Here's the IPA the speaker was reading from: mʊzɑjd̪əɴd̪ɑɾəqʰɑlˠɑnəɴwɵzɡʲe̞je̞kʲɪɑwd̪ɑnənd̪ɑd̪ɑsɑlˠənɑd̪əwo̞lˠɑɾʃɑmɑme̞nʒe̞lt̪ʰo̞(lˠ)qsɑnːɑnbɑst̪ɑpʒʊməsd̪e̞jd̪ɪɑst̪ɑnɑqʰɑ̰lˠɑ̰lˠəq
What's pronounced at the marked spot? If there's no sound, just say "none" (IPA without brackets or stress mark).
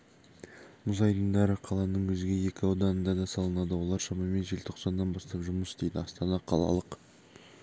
none